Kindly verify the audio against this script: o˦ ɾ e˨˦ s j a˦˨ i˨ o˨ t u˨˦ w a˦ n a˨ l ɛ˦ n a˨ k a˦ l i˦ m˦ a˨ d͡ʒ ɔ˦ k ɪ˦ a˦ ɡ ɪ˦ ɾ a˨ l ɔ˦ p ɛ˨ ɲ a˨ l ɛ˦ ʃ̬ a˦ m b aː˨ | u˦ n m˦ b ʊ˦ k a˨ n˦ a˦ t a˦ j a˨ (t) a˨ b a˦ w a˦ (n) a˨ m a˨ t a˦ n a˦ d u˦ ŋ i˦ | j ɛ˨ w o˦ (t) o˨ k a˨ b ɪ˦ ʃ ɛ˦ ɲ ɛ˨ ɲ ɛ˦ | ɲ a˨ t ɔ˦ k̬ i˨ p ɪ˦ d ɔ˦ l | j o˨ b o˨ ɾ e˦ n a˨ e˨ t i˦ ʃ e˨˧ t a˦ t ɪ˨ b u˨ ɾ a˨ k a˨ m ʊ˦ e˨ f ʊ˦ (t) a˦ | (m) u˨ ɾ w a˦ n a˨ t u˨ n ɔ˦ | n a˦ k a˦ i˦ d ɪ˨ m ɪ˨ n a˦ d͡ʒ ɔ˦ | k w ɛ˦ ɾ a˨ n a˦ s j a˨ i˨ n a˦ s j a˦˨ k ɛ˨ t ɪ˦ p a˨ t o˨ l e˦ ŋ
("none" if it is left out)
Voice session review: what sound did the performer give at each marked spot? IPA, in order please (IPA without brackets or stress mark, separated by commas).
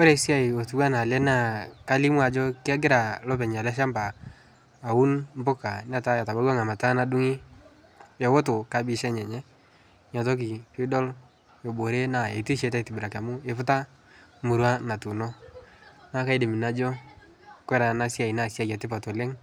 t, ŋ, t, t, m